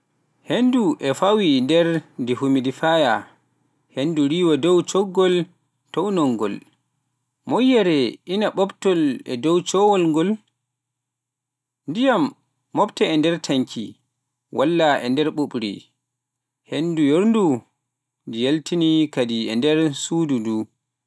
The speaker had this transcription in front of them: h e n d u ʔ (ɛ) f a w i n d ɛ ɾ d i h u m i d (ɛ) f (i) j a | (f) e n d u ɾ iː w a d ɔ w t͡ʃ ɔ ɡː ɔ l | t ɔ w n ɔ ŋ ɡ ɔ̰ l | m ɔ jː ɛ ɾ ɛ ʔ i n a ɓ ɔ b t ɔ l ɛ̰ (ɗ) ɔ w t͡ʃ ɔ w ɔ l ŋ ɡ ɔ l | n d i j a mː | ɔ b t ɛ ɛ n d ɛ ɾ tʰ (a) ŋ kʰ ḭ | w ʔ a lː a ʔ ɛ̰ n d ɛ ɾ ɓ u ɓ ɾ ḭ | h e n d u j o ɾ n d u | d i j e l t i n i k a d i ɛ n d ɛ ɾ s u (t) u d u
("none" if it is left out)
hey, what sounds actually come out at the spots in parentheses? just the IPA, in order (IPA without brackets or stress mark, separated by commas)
ɛ, i, a, h, d, a, d